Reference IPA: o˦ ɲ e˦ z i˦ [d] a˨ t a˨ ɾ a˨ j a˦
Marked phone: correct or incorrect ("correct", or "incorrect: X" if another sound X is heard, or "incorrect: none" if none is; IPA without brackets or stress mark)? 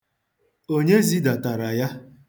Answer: correct